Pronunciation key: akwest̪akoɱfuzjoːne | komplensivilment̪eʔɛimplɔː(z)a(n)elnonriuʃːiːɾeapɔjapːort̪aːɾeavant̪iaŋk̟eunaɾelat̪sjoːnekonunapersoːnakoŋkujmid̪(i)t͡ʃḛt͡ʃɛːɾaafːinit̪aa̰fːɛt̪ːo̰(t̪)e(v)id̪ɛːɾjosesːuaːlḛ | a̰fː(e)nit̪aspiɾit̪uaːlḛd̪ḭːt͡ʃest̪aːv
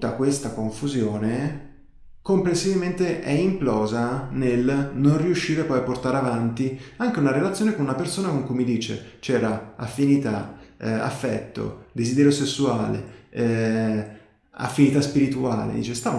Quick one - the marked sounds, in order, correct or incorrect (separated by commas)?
correct, correct, incorrect, incorrect, incorrect, incorrect